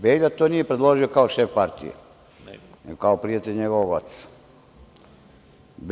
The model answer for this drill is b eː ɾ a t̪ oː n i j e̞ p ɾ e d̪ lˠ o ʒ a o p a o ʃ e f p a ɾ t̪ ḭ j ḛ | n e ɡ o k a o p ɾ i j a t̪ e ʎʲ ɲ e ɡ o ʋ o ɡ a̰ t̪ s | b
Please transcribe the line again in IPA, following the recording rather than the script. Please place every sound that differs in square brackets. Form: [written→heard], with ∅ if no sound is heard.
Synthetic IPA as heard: b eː [ɾ→ʎ] a t̪ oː n i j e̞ p ɾ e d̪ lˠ o ʒ [a→i] o [p→k] a o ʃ e f p a ɾ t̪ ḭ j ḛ | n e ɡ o k a o p ɾ i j a t̪ e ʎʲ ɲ e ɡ o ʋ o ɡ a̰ t̪ s | b